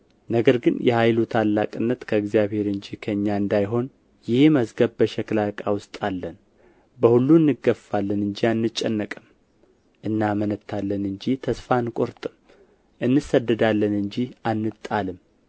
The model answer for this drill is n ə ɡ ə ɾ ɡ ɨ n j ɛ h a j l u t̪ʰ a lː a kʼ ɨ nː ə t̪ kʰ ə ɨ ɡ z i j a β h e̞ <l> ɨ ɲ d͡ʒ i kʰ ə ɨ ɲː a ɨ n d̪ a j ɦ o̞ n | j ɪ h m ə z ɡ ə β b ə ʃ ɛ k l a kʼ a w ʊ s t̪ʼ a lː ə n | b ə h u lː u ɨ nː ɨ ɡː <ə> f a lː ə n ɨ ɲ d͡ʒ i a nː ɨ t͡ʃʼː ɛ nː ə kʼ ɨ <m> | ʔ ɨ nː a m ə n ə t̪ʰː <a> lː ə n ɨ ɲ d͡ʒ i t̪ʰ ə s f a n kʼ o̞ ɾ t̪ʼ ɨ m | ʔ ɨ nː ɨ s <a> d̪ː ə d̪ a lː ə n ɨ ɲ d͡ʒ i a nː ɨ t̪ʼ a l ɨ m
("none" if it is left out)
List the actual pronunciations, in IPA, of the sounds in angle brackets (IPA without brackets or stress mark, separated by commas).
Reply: ɾ, ə, m, a, ə